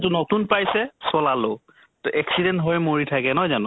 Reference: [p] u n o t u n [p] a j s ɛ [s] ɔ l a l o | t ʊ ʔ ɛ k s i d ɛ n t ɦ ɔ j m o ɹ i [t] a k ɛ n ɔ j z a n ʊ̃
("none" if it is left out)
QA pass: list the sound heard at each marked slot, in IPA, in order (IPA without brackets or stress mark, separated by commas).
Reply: t, p, s, tʰ